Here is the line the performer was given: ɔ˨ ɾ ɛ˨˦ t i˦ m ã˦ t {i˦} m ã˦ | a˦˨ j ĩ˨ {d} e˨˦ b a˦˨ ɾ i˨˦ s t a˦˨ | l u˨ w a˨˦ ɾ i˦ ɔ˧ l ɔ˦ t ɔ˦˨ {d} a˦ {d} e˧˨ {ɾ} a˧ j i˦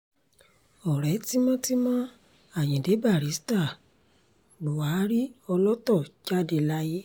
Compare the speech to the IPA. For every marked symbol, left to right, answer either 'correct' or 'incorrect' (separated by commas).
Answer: correct, correct, incorrect, correct, incorrect